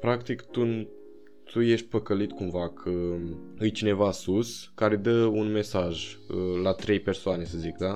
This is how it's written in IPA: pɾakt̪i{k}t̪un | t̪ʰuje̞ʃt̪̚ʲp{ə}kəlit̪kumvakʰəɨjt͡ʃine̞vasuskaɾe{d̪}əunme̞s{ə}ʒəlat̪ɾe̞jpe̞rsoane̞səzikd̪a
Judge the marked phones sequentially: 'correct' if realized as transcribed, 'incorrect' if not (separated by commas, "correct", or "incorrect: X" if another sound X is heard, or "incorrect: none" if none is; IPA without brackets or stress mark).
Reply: correct, correct, correct, incorrect: a